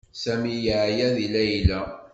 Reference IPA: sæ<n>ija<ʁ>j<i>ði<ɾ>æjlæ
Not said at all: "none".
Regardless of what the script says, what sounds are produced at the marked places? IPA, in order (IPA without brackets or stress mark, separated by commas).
m, ʕ, æ, l